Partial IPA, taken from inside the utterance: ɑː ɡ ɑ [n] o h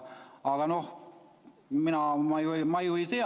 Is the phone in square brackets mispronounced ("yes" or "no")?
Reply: no